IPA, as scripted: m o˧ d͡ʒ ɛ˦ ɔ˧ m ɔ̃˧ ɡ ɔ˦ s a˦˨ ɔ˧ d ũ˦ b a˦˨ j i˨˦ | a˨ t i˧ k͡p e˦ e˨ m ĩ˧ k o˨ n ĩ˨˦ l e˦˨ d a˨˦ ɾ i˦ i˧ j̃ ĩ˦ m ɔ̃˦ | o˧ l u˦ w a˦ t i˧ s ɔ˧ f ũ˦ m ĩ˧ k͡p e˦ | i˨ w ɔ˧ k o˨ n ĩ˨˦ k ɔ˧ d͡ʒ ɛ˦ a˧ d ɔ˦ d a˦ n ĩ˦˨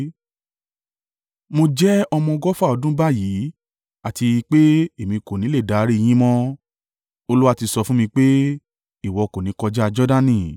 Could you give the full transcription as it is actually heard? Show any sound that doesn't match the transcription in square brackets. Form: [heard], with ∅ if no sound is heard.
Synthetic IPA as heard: m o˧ d͡ʒ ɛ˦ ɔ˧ m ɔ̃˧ ɡ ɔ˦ [f] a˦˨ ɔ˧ d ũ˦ b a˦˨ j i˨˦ | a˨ t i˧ k͡p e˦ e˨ m ĩ˧ k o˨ n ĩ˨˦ l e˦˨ d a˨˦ ɾ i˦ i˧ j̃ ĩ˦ m ɔ̃˦ | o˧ l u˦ w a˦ t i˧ s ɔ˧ f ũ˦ m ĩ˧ k͡p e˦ | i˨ w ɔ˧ k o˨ n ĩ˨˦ k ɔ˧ d͡ʒ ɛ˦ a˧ [d͡ʒ] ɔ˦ d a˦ n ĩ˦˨